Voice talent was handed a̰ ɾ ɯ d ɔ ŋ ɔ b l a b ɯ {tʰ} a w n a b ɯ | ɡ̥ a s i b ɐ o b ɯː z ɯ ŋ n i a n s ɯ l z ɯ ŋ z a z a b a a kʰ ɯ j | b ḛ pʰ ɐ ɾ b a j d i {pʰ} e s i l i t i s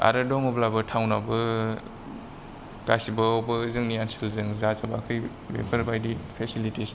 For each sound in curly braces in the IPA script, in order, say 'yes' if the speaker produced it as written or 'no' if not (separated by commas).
yes, yes